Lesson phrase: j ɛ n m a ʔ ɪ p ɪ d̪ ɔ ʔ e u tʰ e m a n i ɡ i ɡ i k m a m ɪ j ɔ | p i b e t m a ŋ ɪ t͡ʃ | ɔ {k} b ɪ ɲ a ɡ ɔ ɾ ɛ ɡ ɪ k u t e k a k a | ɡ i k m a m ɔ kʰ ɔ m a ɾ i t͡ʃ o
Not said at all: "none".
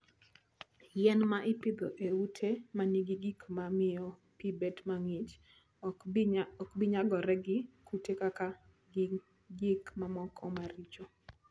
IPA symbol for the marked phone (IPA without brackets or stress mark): k